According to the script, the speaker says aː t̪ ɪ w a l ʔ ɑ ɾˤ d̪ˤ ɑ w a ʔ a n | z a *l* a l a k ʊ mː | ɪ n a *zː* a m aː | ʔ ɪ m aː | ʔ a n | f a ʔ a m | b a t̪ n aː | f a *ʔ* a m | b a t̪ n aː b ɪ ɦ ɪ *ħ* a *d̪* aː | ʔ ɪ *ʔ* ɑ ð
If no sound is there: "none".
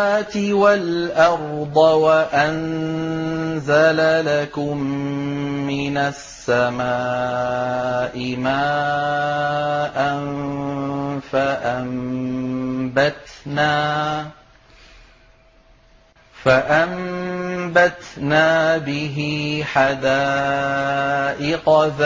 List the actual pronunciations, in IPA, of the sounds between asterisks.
l, sː, ʔ, ħ, d̪, q

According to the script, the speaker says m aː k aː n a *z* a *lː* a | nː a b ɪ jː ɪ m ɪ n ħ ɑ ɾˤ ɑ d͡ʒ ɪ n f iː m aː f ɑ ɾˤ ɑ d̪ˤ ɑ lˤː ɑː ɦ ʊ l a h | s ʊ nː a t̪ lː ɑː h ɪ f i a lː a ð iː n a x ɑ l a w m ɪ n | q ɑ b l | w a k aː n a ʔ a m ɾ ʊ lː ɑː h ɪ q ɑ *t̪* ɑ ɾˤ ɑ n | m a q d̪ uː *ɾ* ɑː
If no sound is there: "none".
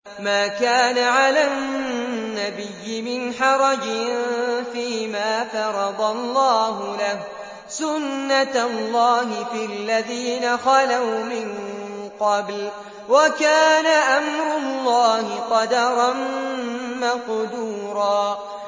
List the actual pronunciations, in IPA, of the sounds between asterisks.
ʕ, l, d̪, ɾ

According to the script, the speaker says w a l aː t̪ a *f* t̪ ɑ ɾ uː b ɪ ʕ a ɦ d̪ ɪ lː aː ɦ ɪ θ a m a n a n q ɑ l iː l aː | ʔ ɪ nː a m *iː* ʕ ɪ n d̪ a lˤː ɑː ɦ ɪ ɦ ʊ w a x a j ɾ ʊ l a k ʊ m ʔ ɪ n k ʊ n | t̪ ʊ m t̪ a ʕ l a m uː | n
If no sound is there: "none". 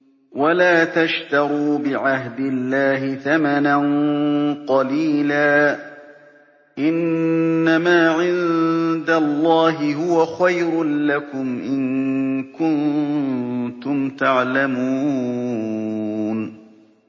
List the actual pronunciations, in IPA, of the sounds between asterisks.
ʃ, aː

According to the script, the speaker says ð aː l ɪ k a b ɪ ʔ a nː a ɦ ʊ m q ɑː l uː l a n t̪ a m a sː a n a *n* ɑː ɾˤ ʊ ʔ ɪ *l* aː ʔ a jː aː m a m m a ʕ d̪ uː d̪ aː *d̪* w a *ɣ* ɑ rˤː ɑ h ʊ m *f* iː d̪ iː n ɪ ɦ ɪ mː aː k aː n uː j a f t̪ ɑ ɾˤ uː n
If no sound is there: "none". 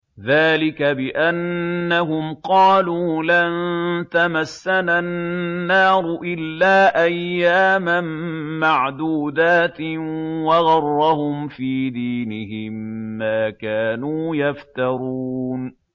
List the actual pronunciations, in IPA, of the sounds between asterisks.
nː, lː, t̪, ɣ, f

